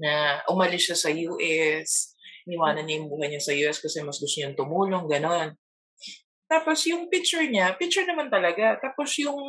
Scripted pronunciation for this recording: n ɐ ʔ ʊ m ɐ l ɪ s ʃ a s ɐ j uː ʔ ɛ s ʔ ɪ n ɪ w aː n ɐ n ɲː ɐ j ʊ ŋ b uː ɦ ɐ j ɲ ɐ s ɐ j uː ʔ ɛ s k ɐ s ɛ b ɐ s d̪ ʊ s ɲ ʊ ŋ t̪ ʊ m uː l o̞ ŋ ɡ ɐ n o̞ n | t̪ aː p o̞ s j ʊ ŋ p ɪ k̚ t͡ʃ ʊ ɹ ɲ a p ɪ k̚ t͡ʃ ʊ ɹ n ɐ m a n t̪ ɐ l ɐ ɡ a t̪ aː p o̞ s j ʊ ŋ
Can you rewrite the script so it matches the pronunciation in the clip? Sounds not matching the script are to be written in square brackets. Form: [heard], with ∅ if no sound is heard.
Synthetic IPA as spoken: n ɐ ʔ ʊ m ɐ l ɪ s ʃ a s ɐ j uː ʔ ɛ s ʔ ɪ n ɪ w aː n ɐ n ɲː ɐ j ʊ ŋ b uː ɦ ɐ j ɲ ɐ s ɐ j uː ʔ ɛ s k ɐ s ɛ [m] ɐ s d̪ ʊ s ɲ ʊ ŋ t̪ ʊ m uː l o̞ ŋ ɡ ɐ n o̞ n | t̪ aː p o̞ s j ʊ ŋ p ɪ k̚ t͡ʃ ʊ ɹ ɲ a p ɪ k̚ t͡ʃ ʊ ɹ n ɐ m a n t̪ ɐ l ɐ ɡ a t̪ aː p o̞ s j ʊ ŋ